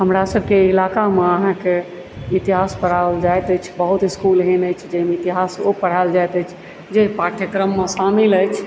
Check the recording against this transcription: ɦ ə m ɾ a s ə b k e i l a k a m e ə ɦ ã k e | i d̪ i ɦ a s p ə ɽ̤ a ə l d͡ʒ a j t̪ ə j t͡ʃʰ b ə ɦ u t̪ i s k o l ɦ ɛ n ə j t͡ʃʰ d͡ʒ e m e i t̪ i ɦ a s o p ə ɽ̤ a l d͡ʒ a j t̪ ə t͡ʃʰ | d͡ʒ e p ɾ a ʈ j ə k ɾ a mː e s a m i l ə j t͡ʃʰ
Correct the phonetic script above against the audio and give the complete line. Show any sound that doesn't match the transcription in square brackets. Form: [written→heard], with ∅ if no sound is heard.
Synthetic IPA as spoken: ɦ ə m ɾ a s ə b k e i l a k a m e ə ɦ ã k e | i [d̪→t̪] i ɦ a s p ə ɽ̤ a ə l d͡ʒ a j t̪ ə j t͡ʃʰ b ə ɦ u t̪ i s k [o→u] l ɦ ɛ n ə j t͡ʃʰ d͡ʒ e m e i t̪ i ɦ a s o p ə ɽ̤ a l d͡ʒ a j t̪ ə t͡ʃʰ | d͡ʒ e p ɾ a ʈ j ə k ɾ [a→ə] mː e s a m i l ə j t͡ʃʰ